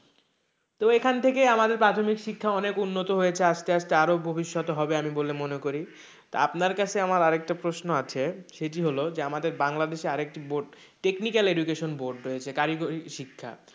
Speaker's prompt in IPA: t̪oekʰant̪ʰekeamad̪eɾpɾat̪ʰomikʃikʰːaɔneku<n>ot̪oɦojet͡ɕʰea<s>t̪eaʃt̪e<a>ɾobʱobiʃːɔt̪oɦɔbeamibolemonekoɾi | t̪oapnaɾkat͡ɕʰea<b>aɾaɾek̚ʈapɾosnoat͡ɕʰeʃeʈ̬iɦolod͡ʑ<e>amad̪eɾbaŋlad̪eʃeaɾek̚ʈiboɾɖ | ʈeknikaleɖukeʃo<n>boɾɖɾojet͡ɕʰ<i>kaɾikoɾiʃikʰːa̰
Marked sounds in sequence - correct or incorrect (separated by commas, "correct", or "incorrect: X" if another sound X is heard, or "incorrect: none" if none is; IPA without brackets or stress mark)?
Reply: incorrect: nː, incorrect: ʃ, correct, incorrect: m, correct, correct, incorrect: e